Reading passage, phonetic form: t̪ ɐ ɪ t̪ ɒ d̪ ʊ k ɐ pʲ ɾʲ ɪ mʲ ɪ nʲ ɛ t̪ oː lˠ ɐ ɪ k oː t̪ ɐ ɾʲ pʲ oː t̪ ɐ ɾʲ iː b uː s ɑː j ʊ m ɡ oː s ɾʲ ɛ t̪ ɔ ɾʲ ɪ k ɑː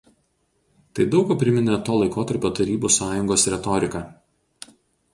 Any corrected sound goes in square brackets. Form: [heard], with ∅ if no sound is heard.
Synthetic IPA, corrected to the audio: t̪ ɐ ɪ [d̪] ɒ [∅] ʊ k ɐ pʲ ɾʲ ɪ mʲ ɪ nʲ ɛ t̪ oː lˠ ɐ ɪ k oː t̪ ɐ ɾʲ pʲ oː t̪ ɐ ɾʲ iː b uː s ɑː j ʊ [ŋ] ɡ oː s ɾʲ ɛ t̪ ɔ ɾʲ ɪ k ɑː